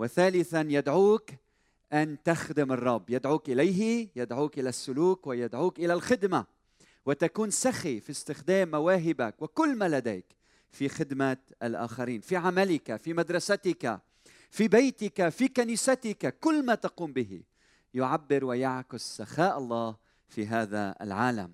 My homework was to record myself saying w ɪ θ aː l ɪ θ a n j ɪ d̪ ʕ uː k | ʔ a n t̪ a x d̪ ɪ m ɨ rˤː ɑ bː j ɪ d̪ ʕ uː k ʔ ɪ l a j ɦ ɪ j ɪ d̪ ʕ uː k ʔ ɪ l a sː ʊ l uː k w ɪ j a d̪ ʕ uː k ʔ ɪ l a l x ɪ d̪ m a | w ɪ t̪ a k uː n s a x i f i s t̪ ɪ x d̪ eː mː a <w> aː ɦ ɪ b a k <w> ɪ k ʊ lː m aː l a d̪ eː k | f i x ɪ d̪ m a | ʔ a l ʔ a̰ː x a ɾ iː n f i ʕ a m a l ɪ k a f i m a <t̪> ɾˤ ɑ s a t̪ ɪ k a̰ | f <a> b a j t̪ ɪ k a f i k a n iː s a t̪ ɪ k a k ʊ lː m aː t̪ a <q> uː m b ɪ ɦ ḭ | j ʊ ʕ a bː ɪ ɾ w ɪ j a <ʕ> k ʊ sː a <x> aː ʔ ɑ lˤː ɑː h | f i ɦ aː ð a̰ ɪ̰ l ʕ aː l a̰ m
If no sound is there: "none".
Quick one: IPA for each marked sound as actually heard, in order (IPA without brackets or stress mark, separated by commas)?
w, w, d̪, i, q, ʕ, x